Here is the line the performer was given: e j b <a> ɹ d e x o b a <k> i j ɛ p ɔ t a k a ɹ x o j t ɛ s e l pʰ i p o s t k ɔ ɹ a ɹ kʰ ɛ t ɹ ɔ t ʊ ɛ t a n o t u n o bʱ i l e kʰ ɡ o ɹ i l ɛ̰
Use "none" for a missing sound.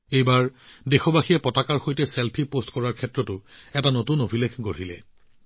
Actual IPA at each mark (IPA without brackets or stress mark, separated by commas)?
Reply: a, x